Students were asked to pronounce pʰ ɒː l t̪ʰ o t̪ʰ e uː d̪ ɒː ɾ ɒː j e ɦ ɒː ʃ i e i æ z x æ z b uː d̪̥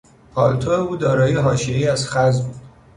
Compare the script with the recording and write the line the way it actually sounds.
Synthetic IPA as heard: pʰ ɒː l t̪ʰ o e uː d̪ ɒː ɾ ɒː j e ɦ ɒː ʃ i e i æ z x æ z b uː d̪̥